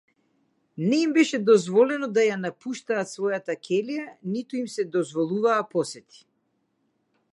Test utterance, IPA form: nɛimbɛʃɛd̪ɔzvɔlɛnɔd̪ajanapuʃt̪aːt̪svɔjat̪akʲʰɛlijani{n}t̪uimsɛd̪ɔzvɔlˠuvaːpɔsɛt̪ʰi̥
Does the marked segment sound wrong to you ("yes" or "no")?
yes